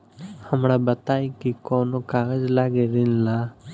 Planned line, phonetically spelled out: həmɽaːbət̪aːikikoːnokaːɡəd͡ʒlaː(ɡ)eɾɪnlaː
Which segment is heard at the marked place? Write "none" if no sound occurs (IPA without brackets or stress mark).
ɡ